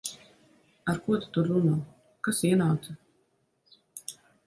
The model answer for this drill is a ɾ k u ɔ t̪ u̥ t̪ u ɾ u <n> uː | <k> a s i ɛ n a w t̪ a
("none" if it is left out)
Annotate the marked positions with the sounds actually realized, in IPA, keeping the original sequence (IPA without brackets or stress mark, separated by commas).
n, k